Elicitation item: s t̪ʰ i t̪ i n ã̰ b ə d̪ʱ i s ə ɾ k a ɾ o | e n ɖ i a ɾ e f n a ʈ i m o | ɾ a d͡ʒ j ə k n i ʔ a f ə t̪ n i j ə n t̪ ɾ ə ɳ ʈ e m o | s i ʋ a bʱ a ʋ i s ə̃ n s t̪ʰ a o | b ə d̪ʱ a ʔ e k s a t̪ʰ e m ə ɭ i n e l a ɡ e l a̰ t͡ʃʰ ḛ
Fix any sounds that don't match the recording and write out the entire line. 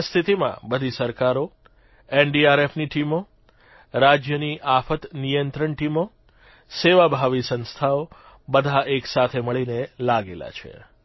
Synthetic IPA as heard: s t̪ʰ i t̪ i m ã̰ b ə d̪ʱ i s ə ɾ k a ɾ o | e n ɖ i a ɾ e f n i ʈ i m o | ɾ a d͡ʒ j ə n i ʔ a f ə t̪ n i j ə n t̪ ɾ ə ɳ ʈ i m o | s e ʋ a bʱ a ʋ i s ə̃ n s t̪ʰ a o | b ə d̪ʱ a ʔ e k s a t̪ʰ e m ə ɭ i n e l a ɡ e l a̰ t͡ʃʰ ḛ